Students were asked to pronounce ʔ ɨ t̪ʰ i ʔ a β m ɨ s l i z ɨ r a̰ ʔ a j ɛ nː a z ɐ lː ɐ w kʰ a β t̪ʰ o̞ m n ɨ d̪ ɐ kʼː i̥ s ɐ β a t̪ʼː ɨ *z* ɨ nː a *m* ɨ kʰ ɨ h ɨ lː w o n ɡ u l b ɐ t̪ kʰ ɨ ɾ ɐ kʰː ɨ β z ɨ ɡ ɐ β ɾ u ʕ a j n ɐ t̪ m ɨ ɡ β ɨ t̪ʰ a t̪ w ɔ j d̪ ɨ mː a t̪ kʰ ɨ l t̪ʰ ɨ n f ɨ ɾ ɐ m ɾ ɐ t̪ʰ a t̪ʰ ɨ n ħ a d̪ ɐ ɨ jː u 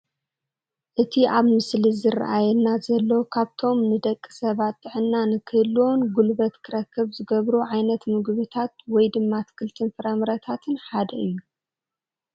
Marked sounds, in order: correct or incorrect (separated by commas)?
incorrect, incorrect